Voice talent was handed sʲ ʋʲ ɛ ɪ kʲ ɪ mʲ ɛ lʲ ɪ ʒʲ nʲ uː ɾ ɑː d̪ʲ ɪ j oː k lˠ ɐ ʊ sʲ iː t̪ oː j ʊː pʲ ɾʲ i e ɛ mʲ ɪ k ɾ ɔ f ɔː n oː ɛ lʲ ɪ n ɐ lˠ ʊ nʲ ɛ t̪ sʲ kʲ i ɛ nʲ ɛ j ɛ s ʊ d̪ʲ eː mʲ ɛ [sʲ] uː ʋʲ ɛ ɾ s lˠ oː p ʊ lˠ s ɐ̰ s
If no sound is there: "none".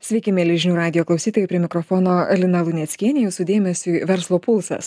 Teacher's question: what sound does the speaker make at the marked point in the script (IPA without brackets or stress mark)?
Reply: sʲ